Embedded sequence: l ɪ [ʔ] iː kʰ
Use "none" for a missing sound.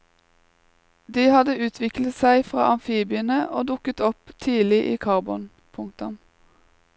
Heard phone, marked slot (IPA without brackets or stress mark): ʔ